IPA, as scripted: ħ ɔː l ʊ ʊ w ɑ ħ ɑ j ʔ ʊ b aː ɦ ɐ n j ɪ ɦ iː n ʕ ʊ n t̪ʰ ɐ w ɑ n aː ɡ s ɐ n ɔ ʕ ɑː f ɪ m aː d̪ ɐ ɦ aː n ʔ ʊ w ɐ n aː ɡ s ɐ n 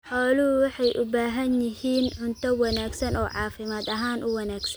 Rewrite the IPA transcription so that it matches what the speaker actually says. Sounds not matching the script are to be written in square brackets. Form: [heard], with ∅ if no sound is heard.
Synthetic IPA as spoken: ħ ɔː l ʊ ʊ w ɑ ħ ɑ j ʔ ʊ b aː ɦ ɐ n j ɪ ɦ iː n ʕ ʊ n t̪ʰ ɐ w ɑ n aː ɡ s ɐ n [ɔː] ʕ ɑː f ɪ m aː d̪ ɐ ɦ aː n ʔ ʊ w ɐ n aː ɡ s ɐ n